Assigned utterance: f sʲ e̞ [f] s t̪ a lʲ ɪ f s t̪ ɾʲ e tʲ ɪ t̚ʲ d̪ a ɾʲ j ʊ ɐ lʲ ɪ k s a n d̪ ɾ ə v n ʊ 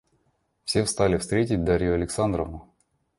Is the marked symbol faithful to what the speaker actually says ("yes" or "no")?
yes